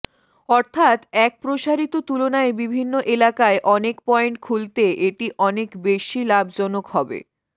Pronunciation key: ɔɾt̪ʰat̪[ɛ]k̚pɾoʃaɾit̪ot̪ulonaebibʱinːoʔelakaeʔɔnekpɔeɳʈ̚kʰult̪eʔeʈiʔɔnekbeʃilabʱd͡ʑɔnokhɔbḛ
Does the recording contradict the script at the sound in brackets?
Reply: no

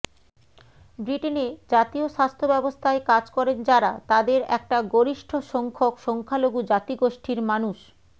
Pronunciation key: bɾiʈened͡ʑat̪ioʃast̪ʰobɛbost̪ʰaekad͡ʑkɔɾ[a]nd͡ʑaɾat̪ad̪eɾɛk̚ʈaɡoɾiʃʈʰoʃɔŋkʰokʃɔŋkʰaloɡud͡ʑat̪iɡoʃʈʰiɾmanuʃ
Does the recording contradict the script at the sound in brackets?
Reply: yes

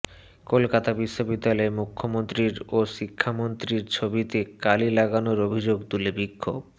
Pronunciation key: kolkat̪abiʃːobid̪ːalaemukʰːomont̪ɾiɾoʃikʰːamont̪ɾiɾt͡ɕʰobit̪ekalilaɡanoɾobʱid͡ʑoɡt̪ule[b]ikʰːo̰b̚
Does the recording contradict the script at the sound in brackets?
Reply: no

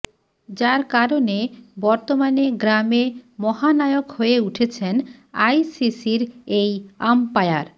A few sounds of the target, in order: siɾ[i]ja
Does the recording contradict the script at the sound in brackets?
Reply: yes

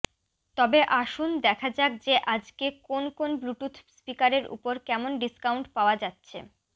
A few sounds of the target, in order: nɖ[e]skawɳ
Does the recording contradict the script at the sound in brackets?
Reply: yes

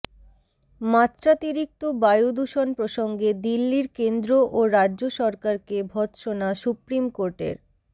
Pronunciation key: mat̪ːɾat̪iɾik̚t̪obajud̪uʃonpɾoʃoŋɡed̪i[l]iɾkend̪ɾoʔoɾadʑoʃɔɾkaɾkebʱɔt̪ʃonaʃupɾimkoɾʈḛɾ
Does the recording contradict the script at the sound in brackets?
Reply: yes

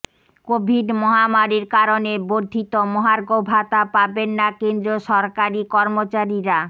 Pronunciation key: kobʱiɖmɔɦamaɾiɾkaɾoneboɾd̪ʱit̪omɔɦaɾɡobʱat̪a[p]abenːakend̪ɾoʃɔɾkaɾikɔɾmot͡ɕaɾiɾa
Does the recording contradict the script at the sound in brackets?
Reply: no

